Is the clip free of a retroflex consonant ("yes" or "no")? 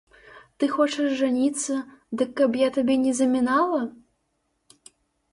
no